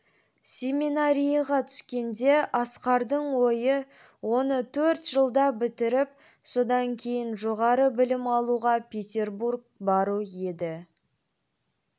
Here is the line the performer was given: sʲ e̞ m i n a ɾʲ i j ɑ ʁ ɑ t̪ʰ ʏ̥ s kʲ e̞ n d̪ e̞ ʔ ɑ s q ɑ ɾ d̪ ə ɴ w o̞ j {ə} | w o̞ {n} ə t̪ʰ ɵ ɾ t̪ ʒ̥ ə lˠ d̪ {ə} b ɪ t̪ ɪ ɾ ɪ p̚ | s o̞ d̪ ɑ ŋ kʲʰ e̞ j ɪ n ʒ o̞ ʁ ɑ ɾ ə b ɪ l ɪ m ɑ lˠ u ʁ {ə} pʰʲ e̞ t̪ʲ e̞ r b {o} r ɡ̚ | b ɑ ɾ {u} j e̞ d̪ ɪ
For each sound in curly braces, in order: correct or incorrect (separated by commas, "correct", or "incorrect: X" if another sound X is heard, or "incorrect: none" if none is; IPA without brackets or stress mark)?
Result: correct, correct, incorrect: ɑ, incorrect: ɑ, incorrect: u, correct